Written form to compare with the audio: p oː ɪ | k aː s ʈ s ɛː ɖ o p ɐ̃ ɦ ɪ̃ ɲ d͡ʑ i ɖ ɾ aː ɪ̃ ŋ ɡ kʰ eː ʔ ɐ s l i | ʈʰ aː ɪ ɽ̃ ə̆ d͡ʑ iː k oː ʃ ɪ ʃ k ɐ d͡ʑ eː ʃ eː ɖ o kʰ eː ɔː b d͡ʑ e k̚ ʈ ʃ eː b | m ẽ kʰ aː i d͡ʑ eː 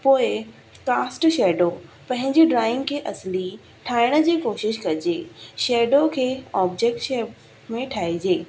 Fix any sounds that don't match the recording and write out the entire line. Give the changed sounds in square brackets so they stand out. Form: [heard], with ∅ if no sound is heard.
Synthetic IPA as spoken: p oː ɪ | k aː s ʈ [ʃ] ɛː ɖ o p ɐ̃ ɦ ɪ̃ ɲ d͡ʑ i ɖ ɾ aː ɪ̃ ŋ ɡ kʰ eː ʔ ɐ s l i | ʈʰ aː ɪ ɽ̃ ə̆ d͡ʑ iː k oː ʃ ɪ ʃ k ɐ d͡ʑ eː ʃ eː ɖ o kʰ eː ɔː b d͡ʑ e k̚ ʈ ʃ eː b | m ẽ [ʈʰ] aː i d͡ʑ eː